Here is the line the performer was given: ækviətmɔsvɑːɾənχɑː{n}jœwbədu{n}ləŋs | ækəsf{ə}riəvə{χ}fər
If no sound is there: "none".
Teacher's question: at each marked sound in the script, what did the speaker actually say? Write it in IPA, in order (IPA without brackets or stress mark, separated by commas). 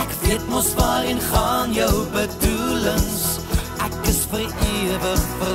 n, none, ə, χ